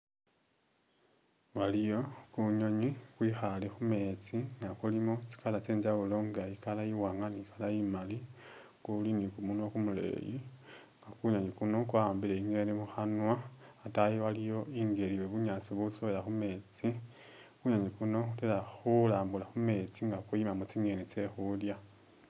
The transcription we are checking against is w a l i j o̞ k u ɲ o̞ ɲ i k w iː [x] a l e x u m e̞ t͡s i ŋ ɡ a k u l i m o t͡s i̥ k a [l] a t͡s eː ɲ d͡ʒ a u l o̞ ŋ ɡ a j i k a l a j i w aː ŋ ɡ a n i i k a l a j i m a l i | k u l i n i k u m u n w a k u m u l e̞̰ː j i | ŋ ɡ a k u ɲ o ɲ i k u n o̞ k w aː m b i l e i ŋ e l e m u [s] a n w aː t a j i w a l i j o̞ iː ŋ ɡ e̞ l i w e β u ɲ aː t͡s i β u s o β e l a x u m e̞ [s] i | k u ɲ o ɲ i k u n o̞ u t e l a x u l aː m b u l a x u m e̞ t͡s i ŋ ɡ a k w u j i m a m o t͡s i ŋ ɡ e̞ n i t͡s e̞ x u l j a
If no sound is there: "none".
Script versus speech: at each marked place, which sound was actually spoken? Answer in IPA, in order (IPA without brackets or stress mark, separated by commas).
x, l, x, t͡s